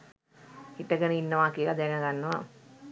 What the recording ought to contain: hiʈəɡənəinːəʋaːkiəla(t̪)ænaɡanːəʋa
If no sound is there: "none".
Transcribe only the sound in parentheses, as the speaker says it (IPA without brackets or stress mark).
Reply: d̪